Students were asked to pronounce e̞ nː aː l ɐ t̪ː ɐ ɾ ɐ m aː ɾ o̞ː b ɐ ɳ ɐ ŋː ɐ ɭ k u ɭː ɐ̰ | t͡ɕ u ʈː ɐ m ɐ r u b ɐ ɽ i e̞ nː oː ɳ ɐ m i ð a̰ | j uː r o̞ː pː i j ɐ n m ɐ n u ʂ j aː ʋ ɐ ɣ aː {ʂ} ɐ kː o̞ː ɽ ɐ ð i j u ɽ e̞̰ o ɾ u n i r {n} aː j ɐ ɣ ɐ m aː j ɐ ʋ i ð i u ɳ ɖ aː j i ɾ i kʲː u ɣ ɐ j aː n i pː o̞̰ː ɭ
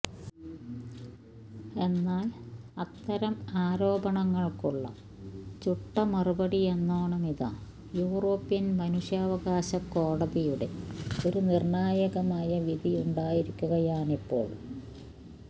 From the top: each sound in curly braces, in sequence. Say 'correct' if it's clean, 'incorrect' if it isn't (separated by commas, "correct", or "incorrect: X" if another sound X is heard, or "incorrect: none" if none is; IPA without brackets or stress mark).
incorrect: ɕ, incorrect: ɳ